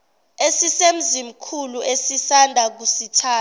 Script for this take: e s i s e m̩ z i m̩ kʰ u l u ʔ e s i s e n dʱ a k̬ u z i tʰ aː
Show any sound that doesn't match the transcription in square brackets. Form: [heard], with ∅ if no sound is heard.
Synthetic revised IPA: e s i s e m̩ z i m̩ kʰ u l u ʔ e s i s [a] n dʱ a k̬ u [s] i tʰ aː